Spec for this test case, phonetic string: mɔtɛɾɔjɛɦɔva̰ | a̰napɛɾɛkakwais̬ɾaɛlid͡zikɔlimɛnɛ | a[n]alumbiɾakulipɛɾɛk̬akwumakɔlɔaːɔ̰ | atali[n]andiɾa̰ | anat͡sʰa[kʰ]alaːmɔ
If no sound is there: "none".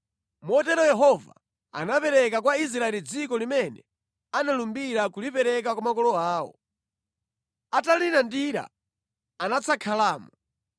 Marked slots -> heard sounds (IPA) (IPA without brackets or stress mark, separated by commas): n, n, kʰ